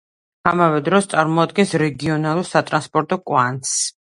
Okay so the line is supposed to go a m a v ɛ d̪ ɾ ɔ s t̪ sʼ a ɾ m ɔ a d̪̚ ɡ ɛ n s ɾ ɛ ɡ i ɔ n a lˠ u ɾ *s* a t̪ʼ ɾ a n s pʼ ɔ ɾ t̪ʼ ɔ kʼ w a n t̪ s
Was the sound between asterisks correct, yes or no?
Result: yes